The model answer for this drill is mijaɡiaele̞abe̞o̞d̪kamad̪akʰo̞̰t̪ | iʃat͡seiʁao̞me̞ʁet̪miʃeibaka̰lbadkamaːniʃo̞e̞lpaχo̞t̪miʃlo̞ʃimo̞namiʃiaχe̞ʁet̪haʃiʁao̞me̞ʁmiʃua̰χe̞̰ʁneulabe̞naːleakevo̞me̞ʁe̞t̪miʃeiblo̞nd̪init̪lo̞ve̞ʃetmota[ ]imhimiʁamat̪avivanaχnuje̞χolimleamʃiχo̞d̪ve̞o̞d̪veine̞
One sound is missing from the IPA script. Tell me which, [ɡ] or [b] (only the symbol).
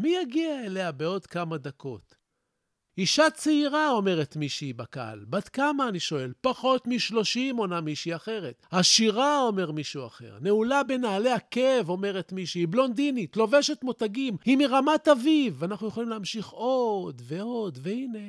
ɡ